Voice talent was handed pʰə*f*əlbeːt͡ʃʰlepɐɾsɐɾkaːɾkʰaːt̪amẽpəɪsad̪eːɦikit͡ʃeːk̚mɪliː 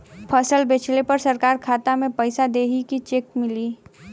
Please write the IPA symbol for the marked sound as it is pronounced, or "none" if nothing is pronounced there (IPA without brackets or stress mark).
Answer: s